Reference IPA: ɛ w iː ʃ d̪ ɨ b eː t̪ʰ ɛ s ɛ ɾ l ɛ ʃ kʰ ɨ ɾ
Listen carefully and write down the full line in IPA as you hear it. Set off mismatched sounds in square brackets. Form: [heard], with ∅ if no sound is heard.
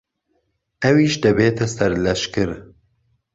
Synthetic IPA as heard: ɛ w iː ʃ d̪ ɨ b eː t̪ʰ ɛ s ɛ ɾ l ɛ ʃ [k] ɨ ɾ

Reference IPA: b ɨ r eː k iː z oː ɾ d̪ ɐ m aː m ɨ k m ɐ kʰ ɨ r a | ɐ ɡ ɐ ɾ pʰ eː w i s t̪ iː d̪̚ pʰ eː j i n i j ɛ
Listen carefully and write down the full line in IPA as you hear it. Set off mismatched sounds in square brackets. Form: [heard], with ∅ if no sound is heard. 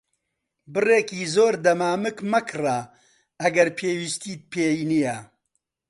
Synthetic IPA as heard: b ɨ r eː k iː z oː ɾ d̪ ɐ m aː m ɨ k m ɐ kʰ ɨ r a | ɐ ɡ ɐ ɾ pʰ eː w i s t̪ iː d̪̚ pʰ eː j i n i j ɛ

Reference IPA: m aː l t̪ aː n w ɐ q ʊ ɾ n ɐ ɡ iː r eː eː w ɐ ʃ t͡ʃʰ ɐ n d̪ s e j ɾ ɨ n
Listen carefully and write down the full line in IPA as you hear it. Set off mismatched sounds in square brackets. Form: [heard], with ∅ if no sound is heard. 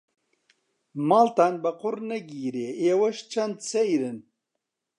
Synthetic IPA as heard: m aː l t̪ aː n [b] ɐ q ʊ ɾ n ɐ ɡ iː [ɾ] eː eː w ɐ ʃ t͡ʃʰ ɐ n d̪ s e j ɾ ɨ n

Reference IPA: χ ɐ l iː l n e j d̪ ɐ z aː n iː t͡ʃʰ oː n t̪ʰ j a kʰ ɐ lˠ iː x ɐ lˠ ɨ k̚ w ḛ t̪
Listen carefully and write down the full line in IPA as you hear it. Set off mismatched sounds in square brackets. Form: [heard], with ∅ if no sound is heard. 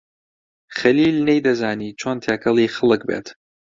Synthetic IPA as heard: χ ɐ l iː l n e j d̪ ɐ z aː n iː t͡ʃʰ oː n t̪ʰ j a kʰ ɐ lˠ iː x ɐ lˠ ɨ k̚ [b] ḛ t̪

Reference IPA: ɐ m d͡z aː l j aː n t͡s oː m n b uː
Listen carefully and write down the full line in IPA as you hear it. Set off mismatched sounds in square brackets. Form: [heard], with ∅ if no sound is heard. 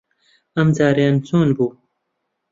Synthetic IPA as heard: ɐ m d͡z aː [ɾ] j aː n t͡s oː [∅] n b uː

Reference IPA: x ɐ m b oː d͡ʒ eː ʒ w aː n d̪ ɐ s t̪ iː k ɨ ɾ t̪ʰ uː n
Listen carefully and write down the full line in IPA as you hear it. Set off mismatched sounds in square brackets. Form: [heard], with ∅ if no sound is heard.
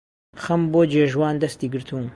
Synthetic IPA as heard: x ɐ m b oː d͡ʒ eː ʒ w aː n d̪ ɐ s t̪ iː [ɡ] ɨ ɾ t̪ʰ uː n

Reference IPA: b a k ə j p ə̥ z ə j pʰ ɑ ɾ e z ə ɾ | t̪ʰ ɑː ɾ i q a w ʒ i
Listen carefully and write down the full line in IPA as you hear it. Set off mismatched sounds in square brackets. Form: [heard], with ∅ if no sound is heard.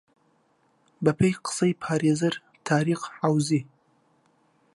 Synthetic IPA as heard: b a [p] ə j [q] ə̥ [s] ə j pʰ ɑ ɾ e z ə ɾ | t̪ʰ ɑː ɾ i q a w [z] i

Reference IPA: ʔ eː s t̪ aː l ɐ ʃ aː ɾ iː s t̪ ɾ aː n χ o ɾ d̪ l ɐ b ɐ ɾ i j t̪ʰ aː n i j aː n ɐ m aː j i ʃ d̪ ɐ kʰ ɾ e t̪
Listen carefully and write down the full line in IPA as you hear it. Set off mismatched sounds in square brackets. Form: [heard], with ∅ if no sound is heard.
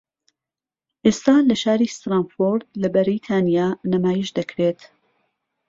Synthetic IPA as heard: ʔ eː s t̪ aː l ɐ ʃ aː ɾ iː s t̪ ɾ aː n [f] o ɾ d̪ l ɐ b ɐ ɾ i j t̪ʰ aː n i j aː n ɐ m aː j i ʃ d̪ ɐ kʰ ɾ e t̪

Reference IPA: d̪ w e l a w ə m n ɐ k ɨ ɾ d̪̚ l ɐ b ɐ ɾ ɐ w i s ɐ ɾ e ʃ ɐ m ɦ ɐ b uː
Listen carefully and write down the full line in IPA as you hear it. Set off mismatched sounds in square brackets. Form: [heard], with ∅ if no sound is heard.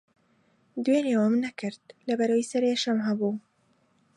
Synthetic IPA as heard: d̪ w e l [e] w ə m n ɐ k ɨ ɾ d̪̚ l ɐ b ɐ ɾ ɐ w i s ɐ ɾ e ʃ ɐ m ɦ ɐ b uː

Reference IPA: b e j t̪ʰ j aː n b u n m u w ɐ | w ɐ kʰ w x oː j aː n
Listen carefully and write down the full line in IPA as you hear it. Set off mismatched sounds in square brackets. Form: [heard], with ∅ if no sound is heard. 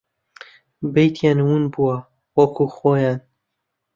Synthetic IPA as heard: b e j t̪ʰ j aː n [w] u n [b] u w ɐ | w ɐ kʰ [u] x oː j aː n

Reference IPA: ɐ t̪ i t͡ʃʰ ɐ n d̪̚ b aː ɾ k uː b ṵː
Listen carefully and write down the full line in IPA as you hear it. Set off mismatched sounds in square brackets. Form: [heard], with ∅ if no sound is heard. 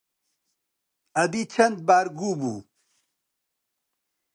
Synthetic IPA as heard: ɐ [d̪] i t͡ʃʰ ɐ n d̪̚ b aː ɾ [ɡ] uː b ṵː

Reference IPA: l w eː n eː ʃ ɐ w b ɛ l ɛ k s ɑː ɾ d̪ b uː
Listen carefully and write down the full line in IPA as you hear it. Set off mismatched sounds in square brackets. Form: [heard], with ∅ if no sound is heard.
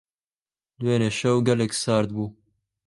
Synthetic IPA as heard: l w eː n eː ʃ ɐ w [ɡ] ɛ l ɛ k s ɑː ɾ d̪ b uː

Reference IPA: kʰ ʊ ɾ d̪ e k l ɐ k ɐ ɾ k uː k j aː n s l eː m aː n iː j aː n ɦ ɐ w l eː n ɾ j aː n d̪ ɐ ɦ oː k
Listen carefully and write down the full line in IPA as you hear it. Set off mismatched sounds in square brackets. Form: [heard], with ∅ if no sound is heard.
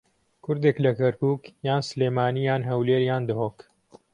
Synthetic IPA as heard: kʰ ʊ ɾ d̪ e k l ɐ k ɐ ɾ k uː k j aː n s l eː m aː n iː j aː n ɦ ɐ w l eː [∅] ɾ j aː n d̪ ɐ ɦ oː k

